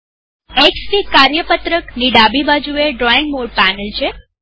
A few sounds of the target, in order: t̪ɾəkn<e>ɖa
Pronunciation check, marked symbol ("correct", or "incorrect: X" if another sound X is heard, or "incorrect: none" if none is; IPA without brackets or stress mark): incorrect: i